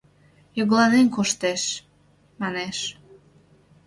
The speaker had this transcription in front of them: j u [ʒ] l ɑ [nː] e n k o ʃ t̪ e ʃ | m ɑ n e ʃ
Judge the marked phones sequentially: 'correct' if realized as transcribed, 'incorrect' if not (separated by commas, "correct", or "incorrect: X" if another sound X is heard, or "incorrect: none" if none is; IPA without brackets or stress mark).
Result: incorrect: ɣ, incorrect: n